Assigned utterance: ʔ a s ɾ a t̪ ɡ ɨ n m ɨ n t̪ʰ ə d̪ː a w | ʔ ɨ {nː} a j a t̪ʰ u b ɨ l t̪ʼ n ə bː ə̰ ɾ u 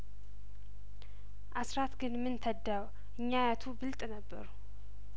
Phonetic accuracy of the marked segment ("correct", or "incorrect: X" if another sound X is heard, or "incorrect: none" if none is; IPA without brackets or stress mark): incorrect: ɲː